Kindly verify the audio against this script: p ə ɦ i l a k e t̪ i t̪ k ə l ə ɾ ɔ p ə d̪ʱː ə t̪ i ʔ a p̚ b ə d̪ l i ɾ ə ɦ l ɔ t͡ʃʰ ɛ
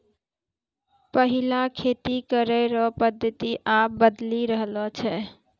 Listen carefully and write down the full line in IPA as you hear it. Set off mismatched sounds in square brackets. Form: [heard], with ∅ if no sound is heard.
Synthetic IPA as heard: p ə ɦ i l a [kʰ] e t̪ i [∅] k ə [ɾ] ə ɾ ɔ p ə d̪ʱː ə t̪ i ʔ a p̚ b ə d̪ l i ɾ ə ɦ l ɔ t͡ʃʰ ɛ